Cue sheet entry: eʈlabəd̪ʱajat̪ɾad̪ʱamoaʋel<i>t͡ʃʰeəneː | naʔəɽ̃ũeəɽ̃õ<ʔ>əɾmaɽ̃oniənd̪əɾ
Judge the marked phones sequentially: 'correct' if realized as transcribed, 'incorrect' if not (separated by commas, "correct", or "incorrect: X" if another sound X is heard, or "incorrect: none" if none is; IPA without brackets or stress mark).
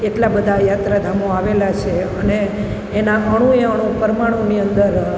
incorrect: a, incorrect: p